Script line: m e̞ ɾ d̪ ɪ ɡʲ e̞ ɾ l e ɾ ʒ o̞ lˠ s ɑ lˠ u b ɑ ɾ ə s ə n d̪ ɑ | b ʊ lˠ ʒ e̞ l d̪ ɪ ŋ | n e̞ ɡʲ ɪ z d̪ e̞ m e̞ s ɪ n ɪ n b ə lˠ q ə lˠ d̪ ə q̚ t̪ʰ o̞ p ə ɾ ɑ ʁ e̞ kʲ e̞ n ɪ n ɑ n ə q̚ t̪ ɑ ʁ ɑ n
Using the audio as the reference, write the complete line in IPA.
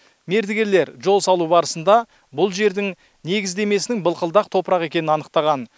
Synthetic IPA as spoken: m e̞ ɾ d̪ ɪ ɡʲ e̞ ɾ l e ɾ ʒ o̞ lˠ s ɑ lˠ u b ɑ ɾ ə s ə n d̪ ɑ | b ʊ lˠ ʒ e̞ ɾ d̪ ɪ ŋ | n e̞ ɡʲ ɪ z d̪ e̞ m e̞ s ɪ n ɪ ŋ b ə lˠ q ə lˠ d̪ ɑ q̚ t̪ʰ o̞ p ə ɾ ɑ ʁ e̞ kʲ e̞ n ɪ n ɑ n ə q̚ t̪ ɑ ʁ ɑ n